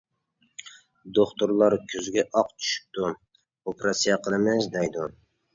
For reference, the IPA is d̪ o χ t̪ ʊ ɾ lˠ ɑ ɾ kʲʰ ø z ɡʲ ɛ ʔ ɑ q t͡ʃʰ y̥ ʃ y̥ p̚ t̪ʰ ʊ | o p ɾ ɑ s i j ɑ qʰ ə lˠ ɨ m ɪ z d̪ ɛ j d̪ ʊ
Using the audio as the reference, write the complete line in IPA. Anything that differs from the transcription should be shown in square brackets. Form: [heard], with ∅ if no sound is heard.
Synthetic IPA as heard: d̪ o χ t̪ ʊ ɾ lˠ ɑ ɾ kʲʰ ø z ɡʲ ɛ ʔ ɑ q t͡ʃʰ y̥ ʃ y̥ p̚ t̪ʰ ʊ | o p ɾ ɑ s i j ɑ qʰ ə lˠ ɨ m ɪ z d̪ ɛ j d̪ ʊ